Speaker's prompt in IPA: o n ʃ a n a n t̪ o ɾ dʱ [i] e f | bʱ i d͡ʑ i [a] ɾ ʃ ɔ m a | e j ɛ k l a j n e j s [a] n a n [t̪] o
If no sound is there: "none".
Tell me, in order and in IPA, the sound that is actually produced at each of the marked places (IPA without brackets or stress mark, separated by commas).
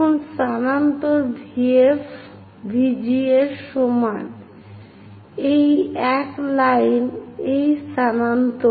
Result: i, e, a, t̪